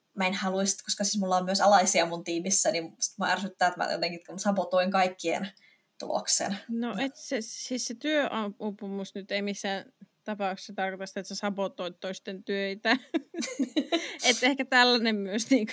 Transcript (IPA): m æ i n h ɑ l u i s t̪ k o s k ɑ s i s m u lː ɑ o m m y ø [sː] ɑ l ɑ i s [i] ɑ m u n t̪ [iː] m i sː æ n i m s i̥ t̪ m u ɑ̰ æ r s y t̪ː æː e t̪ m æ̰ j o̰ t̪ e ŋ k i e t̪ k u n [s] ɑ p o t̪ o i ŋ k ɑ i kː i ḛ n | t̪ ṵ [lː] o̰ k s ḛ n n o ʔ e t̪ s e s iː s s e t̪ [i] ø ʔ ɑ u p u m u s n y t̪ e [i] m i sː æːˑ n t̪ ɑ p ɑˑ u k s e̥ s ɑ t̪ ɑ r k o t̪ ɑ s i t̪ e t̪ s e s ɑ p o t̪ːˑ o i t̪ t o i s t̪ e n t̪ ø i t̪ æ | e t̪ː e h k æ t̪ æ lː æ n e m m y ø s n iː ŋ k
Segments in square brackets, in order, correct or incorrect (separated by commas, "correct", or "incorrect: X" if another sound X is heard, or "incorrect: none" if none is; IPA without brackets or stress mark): incorrect: s, correct, correct, correct, incorrect: l, incorrect: y, correct